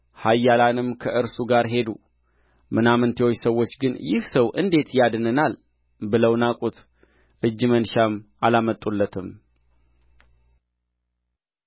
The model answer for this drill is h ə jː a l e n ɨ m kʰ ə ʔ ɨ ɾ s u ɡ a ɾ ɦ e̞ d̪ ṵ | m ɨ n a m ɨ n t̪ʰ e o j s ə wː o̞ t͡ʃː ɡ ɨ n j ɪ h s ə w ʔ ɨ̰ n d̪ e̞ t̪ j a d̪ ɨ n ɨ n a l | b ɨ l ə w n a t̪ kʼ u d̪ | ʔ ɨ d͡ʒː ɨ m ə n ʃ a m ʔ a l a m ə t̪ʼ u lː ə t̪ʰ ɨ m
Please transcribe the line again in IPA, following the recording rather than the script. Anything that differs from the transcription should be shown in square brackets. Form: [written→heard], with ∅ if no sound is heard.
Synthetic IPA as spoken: h [ə→a] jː a l [e→a] n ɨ m kʰ ə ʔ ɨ ɾ s u ɡ a ɾ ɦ e̞ d̪ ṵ | m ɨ n a m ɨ n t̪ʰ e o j s ə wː o̞ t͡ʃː ɡ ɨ n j ɪ h s ə w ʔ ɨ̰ n d̪ e̞ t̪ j a d̪ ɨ n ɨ n a l | b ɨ l ə w n a [t̪→∅] kʼ u [d̪→t̪] | ʔ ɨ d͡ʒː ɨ m ə n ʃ a m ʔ a l a m ə t̪ʼ u lː ə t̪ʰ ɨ m